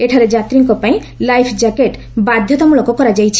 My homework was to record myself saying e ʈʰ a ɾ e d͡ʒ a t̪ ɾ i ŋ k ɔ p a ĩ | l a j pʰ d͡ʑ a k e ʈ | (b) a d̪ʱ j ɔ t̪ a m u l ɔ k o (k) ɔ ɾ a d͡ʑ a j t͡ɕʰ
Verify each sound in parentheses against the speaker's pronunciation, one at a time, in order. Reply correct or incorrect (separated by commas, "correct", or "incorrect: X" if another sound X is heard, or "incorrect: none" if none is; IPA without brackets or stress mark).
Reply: correct, correct